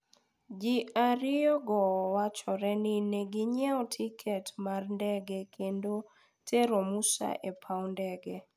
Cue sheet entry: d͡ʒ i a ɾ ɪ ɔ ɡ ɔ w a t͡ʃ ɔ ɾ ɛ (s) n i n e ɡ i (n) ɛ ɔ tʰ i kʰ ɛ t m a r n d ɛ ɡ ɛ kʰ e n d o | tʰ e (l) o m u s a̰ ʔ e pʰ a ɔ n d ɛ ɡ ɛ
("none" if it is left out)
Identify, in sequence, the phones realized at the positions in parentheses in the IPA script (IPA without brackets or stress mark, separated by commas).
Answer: none, ɲ, ɾ